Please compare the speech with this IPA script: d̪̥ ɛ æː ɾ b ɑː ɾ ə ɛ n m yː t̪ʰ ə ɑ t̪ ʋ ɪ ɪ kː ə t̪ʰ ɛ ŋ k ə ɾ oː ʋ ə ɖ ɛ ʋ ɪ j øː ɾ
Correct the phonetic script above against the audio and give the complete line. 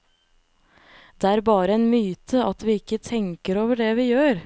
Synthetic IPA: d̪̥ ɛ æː ɾ b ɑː ɾ ə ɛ n m yː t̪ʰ ə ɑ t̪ ʋ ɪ ɪ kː ə t̪ʰ ɛ ŋ k ə ɾ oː ʋ ə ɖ ɛ ʋ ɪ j øː ɾ